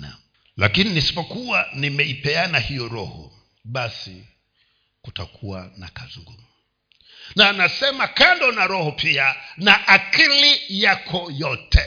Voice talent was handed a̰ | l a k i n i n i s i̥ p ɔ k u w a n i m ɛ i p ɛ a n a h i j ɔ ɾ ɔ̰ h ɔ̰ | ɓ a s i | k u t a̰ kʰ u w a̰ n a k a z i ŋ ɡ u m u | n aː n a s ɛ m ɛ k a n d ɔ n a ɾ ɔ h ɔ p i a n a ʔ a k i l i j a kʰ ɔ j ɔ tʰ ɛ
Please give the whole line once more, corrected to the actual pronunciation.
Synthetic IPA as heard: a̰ | l a k i n i n i s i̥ p ɔ k u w a n i m ɛ i p ɛ a n a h i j ɔ ɾ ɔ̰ h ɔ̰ | ɓ a s i | k u t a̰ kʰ u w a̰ n a k a z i ŋ ɡ u m u | n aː n a s ɛ m a k a n d ɔ n a ɾ ɔ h ɔ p i a n a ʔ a k i l i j a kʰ ɔ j ɔ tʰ ɛ